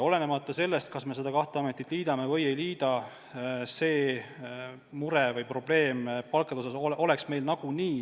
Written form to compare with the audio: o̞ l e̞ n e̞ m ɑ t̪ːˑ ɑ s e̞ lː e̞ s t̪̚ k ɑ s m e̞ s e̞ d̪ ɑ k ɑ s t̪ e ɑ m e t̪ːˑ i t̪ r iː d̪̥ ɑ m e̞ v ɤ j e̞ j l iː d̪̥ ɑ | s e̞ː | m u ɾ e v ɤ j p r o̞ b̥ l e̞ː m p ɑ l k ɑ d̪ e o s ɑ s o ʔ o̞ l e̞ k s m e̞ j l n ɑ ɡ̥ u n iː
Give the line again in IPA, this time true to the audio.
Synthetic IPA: o̞ l e̞ n e̞ m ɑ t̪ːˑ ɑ s e̞ lː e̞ s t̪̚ k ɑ s m e̞ s e̞ d̪ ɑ k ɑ h t̪ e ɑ m e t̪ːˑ i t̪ l iː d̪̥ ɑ m e̞ v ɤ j e̞ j l iː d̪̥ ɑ | s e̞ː | m u ɾ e v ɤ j p r o̞ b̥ l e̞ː m p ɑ l k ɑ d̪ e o s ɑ s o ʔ o̞ l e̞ k s m e̞ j l n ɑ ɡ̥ u n iː